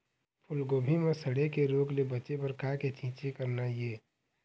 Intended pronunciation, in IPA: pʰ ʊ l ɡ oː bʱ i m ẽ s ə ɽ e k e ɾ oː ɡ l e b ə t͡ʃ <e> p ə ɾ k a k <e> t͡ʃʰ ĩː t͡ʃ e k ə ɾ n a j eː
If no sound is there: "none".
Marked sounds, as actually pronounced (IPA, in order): e, e

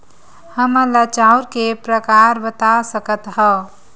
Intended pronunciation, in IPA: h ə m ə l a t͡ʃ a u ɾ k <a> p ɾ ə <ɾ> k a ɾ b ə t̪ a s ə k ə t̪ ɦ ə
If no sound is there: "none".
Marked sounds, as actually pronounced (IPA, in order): e, none

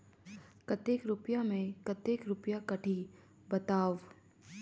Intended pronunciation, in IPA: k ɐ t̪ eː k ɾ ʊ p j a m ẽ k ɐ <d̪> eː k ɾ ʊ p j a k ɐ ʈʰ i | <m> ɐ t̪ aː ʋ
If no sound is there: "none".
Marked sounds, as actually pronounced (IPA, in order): t̪, b

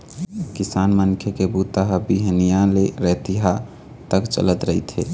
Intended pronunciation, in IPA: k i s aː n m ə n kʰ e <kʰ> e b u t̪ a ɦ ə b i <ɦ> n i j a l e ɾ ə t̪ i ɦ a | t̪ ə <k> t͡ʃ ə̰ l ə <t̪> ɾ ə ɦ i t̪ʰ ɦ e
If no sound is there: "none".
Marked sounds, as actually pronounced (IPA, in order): k, ɦ, k, t̪

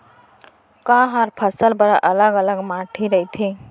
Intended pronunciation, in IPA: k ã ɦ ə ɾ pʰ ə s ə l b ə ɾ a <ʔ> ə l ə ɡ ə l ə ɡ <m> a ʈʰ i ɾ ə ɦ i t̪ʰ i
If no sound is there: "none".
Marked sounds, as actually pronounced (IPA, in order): ʔ, m

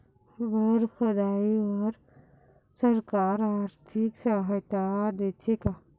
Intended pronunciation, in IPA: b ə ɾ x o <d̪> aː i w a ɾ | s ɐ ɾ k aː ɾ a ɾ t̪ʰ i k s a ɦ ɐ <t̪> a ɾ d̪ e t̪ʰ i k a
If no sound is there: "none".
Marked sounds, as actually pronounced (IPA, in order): d̪, t̪

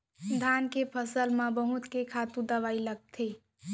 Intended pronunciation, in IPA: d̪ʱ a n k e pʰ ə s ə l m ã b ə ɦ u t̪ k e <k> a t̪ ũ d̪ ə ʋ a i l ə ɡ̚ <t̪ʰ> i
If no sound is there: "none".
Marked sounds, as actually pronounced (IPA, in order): kʰ, t̪ʰ

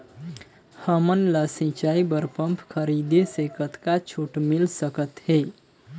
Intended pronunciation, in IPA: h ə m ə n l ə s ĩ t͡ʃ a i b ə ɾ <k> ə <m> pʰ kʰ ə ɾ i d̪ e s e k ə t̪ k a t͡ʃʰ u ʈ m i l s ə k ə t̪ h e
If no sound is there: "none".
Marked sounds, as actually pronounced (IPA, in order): p, m

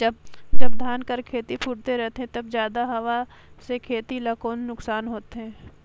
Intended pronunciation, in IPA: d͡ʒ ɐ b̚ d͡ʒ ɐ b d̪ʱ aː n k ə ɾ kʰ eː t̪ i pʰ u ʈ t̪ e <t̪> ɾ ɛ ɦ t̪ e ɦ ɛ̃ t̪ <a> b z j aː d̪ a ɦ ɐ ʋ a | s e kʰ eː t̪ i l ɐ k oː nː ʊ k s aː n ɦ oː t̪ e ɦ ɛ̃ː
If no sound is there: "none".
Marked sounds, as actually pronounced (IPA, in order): none, ɐ

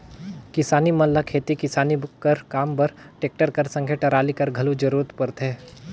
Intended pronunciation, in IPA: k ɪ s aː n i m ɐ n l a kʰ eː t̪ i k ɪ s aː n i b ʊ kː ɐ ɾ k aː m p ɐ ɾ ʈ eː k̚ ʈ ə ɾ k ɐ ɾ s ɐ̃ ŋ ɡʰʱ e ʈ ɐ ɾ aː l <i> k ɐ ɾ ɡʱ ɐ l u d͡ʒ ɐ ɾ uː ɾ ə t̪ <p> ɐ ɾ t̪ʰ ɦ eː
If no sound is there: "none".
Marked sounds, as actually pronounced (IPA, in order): i, p

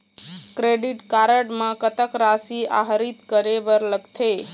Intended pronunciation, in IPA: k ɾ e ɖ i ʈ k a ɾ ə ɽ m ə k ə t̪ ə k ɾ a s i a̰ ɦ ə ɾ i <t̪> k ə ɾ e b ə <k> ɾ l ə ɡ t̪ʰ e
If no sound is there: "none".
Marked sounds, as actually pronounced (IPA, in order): t̪, none

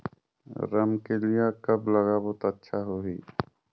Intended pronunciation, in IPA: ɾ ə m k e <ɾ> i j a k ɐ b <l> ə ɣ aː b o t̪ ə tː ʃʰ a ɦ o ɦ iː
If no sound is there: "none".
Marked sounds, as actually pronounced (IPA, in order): l, l

